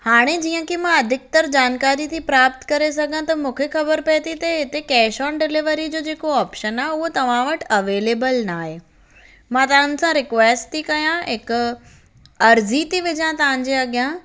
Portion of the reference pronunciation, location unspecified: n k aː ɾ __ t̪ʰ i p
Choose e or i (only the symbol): i